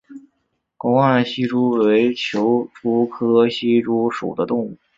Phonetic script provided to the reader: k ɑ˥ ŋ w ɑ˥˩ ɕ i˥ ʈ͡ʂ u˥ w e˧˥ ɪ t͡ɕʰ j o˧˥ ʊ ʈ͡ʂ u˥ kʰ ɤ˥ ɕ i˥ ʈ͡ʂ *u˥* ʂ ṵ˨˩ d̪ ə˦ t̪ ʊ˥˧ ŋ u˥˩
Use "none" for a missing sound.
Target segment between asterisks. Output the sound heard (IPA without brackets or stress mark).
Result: u˥